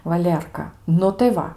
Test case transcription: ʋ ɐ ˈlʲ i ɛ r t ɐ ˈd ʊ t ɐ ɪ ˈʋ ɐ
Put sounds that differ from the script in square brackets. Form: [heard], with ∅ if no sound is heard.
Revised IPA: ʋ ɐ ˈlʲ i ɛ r [k] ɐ [ˈn] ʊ t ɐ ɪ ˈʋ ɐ

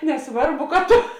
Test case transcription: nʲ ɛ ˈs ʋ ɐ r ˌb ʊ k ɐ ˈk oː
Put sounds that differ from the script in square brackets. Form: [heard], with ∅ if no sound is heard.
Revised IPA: nʲ ɛ ˈs ʋ ɐ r ˌb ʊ k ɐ [ˈt] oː

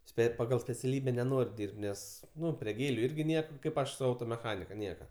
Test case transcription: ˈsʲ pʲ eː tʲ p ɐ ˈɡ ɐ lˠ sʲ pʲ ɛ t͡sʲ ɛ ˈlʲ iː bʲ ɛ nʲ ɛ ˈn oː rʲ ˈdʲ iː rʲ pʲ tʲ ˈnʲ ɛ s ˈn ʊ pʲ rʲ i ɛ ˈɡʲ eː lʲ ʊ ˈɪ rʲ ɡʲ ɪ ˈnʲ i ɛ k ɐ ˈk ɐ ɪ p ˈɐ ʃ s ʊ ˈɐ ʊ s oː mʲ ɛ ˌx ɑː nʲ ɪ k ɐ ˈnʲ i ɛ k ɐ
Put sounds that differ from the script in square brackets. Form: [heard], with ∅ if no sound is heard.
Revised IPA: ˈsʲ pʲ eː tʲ p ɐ ˈɡ ɐ lˠ sʲ pʲ ɛ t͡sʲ ɛ ˈlʲ iː bʲ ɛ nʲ ɛ ˈn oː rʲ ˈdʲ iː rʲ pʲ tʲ ˈnʲ ɛ s ˈn ʊ pʲ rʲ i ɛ ˈɡʲ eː lʲ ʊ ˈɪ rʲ ɡʲ ɪ ˈnʲ i ɛ k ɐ ˈk ɐ ɪ p ˈɐ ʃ s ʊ ˈɐ ʊ [t] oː mʲ ɛ ˌx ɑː nʲ ɪ k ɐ ˈnʲ i ɛ k ɐ

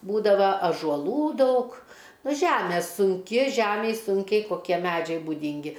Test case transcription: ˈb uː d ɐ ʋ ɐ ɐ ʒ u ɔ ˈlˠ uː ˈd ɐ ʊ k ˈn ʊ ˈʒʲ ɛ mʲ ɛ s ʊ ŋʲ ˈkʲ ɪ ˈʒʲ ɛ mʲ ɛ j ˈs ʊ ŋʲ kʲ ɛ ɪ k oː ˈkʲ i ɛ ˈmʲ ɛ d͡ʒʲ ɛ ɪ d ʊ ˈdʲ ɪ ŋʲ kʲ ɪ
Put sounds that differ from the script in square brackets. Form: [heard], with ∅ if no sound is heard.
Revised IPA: ˈb uː d ɐ ʋ ɐ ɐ ʒ u ɔ ˈlˠ uː ˈd ɐ ʊ k ˈn ʊ ˈʒʲ [æ] mʲ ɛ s ʊ ŋʲ ˈkʲ ɪ ˈʒʲ [æ] mʲ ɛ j ˈs ʊ ŋʲ kʲ ɛ ɪ k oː ˈkʲ i ɛ ˈmʲ [æ] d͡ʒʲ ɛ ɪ [b] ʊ ˈdʲ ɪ ŋʲ [ɡʲ] ɪ

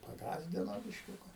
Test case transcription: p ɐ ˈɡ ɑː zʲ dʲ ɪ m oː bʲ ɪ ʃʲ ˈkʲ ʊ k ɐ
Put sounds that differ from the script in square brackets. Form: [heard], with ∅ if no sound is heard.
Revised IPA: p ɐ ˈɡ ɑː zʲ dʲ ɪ [n] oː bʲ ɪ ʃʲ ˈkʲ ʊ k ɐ

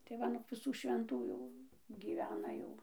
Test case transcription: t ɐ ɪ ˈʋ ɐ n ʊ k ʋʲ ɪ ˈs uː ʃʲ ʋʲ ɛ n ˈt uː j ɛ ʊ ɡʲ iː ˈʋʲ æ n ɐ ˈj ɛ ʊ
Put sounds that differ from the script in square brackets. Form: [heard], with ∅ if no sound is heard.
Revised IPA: t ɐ ɪ ˈʋ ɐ n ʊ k ʋʲ ɪ ˈs uː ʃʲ ʋʲ ɛ n ˈt uː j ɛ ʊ ɡʲ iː ˈʋʲ [æː] n ɐ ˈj ɛ ʊ

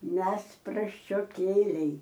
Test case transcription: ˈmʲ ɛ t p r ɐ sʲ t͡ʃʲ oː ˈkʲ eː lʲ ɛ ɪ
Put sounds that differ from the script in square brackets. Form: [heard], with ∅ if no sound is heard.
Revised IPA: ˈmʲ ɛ [s] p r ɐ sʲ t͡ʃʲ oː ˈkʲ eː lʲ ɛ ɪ

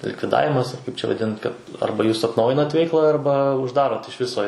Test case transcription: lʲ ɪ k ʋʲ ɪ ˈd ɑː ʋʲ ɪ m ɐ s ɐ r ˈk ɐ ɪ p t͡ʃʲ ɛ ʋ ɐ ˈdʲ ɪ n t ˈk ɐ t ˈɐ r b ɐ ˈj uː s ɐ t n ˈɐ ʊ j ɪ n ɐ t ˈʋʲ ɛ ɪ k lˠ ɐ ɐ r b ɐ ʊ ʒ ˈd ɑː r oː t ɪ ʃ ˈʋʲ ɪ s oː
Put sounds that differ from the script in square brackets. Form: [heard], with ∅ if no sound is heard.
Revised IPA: lʲ ɪ k ʋʲ ɪ ˈd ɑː ʋʲ ɪ m ɐ s ɐ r ˈk ɐ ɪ p t͡ʃʲ ɛ ʋ ɐ ˈdʲ ɪ n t ˈk ɐ t ˈɐ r b ɐ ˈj uː s ɐ t n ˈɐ ʊ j ɪ n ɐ t ˈʋʲ ɛ ɪ k lˠ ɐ ɐ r b ɐ ʊ ʒ ˈd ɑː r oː t ɪ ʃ ˈʋʲ ɪ s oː

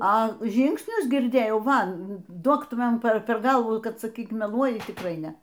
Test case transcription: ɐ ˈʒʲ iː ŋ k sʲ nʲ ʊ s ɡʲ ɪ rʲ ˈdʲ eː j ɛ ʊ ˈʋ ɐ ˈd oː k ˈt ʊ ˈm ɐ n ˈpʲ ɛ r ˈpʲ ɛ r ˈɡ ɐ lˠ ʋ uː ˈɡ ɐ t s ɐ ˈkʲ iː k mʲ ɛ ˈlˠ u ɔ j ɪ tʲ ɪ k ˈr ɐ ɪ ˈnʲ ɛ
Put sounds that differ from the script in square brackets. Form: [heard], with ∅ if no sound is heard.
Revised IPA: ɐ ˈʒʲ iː ŋ k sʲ nʲ ʊ s ɡʲ ɪ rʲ ˈdʲ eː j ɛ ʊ ˈʋ ɐ ˈd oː k ˈt ʊ ˈm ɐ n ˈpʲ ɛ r ˈpʲ ɛ r ˈɡ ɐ lˠ ʋ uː [ˈk] ɐ t s ɐ ˈkʲ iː k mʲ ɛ ˈlˠ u ɔ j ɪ tʲ ɪ k ˈr ɐ ɪ ˈnʲ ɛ

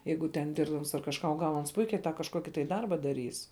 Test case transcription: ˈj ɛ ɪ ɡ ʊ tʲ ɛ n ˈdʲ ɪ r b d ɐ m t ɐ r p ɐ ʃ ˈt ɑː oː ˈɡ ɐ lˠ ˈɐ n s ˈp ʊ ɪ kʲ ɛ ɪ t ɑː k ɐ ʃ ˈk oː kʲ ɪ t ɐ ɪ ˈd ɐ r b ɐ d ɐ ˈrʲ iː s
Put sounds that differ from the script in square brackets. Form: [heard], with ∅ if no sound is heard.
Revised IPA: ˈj ɛ ɪ ɡ ʊ tʲ ɛ n ˈdʲ ɪ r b d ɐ m [s] ɐ r [k] ɐ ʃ [ˈk] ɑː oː ˈɡ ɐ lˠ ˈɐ n s ˈp ʊ ɪ kʲ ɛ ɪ t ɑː k ɐ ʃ ˈk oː kʲ ɪ t ɐ ɪ ˈd ɐ r b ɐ d ɐ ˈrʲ iː s

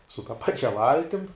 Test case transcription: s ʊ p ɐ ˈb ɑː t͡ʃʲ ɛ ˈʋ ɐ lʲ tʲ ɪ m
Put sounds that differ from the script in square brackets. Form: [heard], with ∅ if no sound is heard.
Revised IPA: s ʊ [t] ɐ [ˈp] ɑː t͡ʃʲ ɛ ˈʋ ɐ lʲ tʲ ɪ m

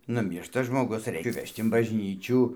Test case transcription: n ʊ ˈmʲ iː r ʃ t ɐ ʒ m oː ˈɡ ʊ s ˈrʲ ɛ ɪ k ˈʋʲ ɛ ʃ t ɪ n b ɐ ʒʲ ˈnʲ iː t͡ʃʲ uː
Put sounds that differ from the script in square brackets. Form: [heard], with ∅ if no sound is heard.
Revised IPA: n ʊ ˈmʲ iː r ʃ t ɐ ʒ m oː ˈɡ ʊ s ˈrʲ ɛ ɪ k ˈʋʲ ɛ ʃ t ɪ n b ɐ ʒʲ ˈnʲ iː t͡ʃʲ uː

